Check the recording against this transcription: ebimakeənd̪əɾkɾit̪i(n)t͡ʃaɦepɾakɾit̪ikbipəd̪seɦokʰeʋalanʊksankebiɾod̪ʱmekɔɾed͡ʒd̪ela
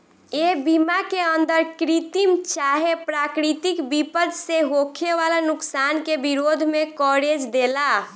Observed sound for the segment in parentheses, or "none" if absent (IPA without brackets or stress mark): m